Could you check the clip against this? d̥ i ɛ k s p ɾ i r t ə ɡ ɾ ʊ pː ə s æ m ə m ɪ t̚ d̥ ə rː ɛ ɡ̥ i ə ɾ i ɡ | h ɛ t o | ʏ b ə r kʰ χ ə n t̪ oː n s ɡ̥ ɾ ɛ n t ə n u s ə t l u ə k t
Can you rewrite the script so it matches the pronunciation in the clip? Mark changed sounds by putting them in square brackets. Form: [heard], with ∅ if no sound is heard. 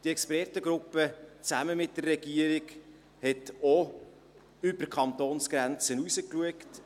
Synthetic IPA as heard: d̥ i ɛ k s p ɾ [ɛ] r t ə ɡ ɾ ʊ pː ə [t͡s] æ m ə m ɪ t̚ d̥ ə rː ɛ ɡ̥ i ə ɾ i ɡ | h ɛ t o | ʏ b ə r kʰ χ [ɑ] n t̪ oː n s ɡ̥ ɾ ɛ n [t͡s] ə n u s ə [k] l u ə k t

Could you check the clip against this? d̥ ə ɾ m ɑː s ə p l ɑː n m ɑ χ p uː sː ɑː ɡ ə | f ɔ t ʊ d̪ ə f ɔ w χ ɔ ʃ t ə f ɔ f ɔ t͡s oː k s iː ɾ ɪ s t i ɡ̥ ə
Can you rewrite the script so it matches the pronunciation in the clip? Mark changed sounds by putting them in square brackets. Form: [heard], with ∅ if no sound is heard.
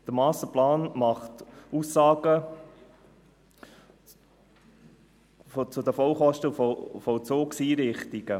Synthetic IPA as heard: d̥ ə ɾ m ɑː s ə p l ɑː n m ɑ χ [t] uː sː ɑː ɡ ə | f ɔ [t͡s] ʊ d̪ ə f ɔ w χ ɔ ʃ t ə f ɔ f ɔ t͡s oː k s iː ɾ ɪ [χ] t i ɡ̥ ə

